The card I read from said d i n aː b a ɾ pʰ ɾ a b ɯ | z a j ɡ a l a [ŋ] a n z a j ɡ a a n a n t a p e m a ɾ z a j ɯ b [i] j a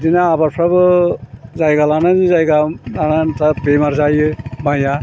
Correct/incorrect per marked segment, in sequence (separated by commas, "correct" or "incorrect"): incorrect, incorrect